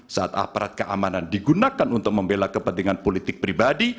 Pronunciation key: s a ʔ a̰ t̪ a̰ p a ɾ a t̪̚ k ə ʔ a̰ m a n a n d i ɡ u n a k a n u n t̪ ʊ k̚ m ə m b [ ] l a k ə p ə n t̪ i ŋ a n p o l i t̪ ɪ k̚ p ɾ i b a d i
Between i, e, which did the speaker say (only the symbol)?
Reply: e